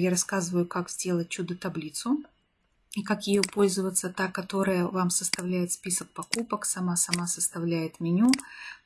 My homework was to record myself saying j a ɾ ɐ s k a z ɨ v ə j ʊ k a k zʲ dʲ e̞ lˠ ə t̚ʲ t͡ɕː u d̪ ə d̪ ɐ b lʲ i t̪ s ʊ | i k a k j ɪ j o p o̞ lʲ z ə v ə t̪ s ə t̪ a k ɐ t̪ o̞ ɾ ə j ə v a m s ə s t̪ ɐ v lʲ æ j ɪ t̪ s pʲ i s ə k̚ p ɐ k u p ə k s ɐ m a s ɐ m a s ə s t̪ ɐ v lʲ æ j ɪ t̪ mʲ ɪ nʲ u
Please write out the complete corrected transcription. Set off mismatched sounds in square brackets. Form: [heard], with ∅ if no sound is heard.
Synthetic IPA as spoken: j a ɾ ɐ s k a z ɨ v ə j ʊ k a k zʲ dʲ e̞ lˠ ə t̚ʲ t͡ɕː u d̪ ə [t̪] ɐ b lʲ i t̪ s ʊ | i k a k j ɪ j o p o̞ lʲ z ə v ə t̪ s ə t̪ a k ɐ t̪ o̞ ɾ ə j ə v a m s ə s t̪ ɐ v lʲ æ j ɪ t̪ s pʲ i s ə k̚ p ɐ k u p ə k s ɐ m a s ɐ m a s ə s t̪ ɐ v lʲ æ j ɪ t̪ mʲ ɪ nʲ u